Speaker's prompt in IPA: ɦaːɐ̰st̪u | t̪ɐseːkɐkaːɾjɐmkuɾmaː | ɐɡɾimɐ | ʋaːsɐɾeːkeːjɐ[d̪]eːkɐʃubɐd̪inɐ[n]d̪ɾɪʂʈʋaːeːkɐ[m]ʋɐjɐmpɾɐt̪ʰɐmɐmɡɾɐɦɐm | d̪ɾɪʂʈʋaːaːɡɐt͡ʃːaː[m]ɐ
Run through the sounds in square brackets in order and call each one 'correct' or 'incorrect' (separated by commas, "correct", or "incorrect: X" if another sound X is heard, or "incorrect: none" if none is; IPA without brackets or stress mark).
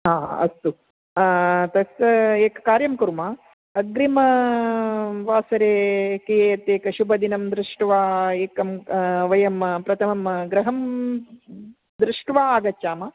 incorrect: t̪, incorrect: m, correct, correct